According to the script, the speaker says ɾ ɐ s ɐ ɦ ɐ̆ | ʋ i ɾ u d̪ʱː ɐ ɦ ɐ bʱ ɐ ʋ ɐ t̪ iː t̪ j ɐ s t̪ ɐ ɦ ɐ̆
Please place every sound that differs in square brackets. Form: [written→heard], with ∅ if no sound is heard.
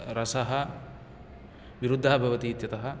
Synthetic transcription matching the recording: ɾ ɐ s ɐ ɦ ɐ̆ | ʋ i ɾ u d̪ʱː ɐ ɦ ɐ bʱ ɐ ʋ ɐ t̪ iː t̪ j ɐ [s→∅] t̪ ɐ ɦ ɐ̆